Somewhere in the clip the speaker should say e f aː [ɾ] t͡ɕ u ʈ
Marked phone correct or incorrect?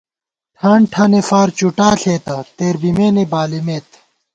correct